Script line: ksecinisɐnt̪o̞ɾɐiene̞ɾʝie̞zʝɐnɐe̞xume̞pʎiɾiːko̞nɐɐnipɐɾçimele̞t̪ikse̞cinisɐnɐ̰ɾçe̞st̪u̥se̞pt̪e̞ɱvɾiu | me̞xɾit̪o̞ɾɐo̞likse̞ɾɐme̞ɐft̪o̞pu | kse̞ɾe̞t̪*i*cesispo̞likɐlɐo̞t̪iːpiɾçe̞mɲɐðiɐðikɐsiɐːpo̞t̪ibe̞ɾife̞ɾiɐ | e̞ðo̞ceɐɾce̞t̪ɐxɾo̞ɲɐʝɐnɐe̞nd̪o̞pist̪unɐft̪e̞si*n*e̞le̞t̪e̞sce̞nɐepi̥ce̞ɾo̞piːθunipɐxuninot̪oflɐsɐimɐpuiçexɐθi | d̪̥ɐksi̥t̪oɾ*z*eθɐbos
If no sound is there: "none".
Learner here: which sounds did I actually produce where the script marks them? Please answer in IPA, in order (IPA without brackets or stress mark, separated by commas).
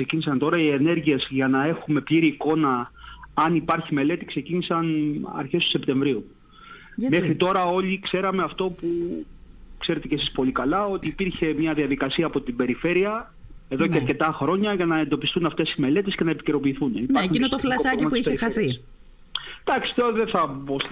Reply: e, m, ð